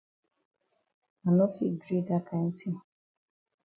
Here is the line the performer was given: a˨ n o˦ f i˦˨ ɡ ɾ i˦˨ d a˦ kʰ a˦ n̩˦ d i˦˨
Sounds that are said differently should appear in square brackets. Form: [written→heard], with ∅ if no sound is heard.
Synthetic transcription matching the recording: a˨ n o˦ f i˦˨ ɡ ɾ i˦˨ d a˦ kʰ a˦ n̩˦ [d→t] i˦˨